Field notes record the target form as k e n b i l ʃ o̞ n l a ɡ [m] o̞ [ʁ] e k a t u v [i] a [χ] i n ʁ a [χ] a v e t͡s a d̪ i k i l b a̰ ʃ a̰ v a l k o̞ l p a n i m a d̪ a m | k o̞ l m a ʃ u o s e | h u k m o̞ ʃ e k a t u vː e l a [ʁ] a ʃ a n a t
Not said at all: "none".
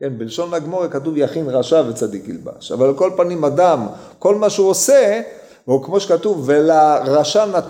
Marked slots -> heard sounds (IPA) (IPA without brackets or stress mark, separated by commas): m, ʁ, j, χ, ʃ, ʁ